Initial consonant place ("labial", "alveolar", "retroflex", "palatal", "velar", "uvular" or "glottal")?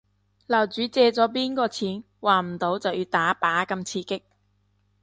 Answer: alveolar